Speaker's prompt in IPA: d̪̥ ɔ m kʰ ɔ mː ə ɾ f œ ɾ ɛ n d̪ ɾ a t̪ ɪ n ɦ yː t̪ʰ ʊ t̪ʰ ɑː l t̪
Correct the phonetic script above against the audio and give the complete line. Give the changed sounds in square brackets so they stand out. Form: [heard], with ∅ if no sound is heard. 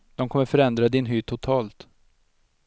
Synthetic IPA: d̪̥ ɔ m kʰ ɔ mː ə ɾ f œ ɾ ɛ n d̪ ɾ a [d̪] ɪ n ɦ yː t̪ʰ ʊ t̪ʰ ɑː l t̪